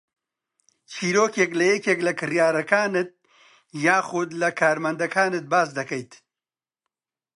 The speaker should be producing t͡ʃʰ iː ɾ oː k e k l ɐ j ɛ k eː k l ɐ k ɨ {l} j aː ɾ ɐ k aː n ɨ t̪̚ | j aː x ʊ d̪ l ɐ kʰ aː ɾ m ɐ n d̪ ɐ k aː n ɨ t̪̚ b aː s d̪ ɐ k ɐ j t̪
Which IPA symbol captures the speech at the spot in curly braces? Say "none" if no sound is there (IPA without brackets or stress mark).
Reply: r